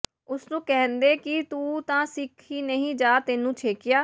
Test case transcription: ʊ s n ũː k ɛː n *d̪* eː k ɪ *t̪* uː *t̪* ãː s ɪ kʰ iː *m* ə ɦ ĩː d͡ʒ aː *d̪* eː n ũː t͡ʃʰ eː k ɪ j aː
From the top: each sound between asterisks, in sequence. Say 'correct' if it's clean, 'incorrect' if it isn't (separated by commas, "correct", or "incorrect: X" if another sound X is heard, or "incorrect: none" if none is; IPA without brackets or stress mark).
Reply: correct, correct, correct, incorrect: n, incorrect: t̪